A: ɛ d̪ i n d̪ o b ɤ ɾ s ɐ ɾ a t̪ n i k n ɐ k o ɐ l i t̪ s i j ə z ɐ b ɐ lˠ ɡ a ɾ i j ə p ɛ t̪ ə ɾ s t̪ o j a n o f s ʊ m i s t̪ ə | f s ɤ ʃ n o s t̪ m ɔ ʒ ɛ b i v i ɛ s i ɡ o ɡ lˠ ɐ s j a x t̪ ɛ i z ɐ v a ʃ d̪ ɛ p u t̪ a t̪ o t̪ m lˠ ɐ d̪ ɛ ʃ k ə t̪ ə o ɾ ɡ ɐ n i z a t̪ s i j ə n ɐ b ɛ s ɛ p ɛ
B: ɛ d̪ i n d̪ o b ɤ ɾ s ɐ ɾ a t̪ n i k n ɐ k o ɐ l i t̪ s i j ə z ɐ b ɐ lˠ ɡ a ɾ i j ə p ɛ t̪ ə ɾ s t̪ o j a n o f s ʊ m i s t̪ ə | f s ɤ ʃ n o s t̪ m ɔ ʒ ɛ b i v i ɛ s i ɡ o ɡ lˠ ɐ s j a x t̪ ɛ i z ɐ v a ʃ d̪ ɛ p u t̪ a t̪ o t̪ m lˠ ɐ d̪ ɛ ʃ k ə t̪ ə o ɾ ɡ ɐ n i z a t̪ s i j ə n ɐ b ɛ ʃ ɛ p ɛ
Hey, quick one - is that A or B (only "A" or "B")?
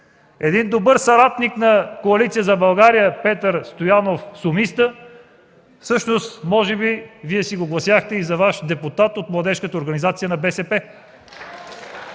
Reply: A